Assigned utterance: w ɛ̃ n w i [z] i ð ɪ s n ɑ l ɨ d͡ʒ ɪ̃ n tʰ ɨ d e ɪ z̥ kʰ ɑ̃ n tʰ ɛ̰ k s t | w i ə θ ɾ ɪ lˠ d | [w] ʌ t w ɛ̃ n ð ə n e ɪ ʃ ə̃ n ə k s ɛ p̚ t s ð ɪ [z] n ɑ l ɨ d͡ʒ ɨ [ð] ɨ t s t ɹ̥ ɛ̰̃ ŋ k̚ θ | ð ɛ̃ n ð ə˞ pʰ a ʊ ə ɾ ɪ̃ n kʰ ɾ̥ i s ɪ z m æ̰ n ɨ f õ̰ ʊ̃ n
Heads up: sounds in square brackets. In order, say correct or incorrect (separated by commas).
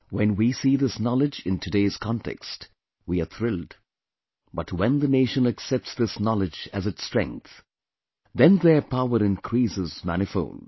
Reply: incorrect, incorrect, incorrect, incorrect